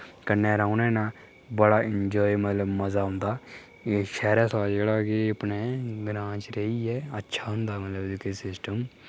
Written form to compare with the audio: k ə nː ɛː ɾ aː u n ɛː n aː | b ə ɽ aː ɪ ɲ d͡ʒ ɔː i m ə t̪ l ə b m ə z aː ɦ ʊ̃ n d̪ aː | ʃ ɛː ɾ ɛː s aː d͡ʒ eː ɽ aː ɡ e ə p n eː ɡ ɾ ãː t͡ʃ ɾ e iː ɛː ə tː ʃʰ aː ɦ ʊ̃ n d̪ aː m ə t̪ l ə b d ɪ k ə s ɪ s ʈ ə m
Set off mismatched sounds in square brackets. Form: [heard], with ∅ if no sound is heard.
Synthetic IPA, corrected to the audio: k ə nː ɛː ɾ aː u n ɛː n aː | b ə ɽ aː ɪ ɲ d͡ʒ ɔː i m ə t̪ l ə b m ə z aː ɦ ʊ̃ n d̪ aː | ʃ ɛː ɾ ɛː s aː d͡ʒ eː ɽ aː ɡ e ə p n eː ɡ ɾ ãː t͡ʃ ɾ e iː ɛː ə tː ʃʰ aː ɦ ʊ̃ n d̪ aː m ə t̪ l ə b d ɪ k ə s ɪ s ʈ ə m